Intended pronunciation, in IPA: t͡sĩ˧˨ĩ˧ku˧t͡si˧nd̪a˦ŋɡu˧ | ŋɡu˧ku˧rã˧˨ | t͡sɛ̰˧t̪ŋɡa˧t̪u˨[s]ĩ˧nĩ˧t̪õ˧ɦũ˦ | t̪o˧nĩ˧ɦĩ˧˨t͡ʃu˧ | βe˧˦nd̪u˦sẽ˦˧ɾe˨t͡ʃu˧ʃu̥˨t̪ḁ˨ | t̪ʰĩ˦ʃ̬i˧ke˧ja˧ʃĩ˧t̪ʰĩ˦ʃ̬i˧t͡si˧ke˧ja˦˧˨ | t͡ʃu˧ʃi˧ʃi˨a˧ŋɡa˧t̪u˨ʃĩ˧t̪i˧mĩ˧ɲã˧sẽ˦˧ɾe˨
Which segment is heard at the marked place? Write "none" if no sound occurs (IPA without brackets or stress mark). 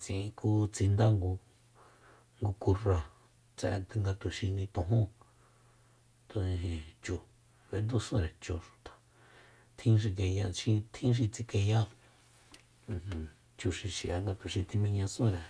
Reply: ʃ